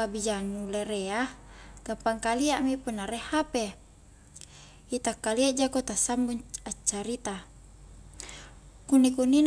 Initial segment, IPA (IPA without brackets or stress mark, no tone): a